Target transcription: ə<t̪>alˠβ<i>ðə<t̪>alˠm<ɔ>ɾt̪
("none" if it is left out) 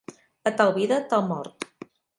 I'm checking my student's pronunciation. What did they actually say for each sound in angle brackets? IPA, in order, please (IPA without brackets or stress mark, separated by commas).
t̪, i, t̪, ɔ